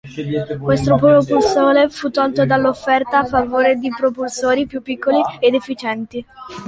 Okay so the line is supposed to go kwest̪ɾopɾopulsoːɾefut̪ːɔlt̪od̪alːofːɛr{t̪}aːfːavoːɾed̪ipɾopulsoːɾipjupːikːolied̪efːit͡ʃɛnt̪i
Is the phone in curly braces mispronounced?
no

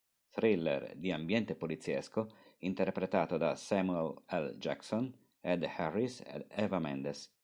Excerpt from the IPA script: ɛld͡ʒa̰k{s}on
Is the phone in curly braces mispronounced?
no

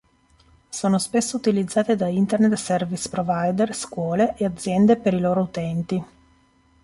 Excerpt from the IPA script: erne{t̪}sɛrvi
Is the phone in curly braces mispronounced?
no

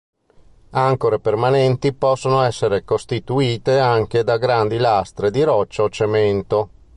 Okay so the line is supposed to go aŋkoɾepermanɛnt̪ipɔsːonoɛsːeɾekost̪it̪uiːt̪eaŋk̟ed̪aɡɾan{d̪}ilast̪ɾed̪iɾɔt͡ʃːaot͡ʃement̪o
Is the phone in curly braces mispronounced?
no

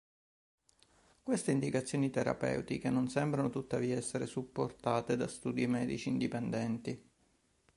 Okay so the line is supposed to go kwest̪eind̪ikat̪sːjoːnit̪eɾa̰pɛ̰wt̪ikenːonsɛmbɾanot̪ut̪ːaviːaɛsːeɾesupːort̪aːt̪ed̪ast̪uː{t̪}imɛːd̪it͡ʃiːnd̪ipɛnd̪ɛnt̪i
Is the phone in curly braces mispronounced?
yes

